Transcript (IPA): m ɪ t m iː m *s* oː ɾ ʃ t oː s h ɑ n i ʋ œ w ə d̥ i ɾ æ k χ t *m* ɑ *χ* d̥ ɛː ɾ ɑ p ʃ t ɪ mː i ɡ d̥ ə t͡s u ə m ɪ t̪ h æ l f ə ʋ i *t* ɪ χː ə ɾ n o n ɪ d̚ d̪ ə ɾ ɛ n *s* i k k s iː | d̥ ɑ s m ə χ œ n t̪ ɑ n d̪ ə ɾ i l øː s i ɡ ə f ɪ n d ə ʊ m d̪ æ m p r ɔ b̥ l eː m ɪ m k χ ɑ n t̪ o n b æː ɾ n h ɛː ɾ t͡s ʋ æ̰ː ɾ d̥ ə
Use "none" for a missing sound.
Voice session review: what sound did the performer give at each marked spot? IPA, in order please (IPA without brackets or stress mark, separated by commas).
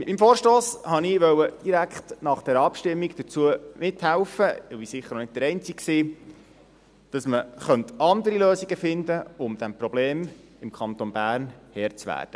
f, n, χ, s, t͡s